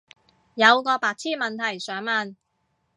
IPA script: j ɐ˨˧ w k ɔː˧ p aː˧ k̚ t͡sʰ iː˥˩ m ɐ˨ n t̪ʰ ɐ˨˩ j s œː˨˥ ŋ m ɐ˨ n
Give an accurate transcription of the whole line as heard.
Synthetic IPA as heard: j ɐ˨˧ w k ɔː˧ p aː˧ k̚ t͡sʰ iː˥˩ m ɐ˨ n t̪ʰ ɐ˨˩ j s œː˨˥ ŋ m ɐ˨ n